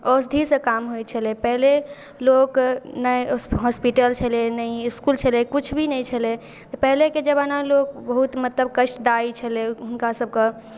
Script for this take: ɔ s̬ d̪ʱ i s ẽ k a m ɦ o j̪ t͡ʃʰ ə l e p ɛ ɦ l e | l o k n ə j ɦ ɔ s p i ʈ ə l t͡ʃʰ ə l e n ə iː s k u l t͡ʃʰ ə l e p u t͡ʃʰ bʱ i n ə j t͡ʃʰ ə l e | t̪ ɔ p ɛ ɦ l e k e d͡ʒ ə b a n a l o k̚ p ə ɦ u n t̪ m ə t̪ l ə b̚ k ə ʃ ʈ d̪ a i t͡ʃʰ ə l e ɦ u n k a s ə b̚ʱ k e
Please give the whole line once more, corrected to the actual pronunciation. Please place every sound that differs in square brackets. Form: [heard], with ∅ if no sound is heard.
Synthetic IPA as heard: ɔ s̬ d̪ʱ i s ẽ k a m ɦ o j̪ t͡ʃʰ ə l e p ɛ ɦ l e | l o k n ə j ɦ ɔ s p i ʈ ə l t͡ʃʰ ə l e n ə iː s k u l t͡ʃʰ ə l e [k] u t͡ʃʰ bʱ i n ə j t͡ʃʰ ə l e | t̪ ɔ p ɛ ɦ l e k e d͡ʒ ə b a n a l o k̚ [b] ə ɦ u [∅] t̪ m ə t̪ l ə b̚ k ə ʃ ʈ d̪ a i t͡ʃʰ ə l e ɦ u n k a s ə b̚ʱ k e